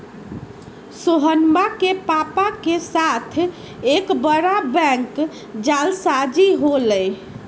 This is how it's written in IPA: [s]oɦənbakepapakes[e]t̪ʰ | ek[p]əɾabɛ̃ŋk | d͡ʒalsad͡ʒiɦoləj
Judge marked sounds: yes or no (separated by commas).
yes, no, no